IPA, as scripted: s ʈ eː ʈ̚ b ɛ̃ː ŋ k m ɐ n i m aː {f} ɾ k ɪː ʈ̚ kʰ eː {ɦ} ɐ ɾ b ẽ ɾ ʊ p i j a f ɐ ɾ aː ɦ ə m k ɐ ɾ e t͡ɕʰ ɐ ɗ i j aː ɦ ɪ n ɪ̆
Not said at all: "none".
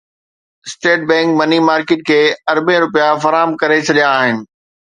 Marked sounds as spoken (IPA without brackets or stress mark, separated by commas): none, none